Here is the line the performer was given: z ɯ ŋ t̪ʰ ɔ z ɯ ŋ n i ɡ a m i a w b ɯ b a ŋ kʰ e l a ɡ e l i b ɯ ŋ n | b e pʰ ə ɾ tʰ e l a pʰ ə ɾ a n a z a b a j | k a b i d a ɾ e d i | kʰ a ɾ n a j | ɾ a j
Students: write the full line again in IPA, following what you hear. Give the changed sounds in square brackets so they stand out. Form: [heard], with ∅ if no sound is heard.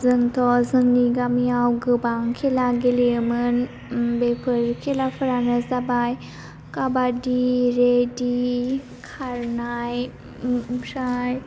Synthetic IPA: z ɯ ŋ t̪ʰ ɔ z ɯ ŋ n i ɡ a m i a w [ɡ] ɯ b a ŋ kʰ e l a ɡ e l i [m] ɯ [∅] n | b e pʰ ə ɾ [kʰ] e l a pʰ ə ɾ a n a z a b a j | k a b [a] d [i] ɾ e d i | kʰ a ɾ n a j | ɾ a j